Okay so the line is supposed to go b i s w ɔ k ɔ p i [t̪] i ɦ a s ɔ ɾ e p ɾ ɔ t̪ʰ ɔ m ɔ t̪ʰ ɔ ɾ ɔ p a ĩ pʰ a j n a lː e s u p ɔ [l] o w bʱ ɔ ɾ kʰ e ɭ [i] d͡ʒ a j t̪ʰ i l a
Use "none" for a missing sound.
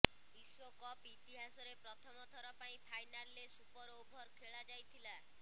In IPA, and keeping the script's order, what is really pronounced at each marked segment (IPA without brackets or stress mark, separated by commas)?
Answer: t̪, ɾ, a